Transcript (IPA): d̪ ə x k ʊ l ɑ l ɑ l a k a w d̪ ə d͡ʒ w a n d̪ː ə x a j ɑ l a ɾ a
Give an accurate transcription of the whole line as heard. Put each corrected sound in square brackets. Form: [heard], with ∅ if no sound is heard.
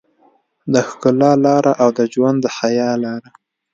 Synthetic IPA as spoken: d̪ ə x k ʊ l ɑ l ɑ [ɾ] a [ʔ] a w d̪ ə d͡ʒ w a n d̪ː ə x a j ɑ l [ɑ] ɾ a